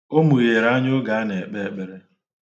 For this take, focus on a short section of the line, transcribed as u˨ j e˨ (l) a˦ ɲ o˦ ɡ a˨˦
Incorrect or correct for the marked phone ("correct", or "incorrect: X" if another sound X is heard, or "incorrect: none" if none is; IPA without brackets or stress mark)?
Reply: incorrect: ɾ